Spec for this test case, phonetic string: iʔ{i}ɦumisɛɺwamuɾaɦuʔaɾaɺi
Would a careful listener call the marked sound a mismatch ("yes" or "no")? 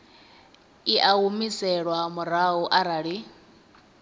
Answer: yes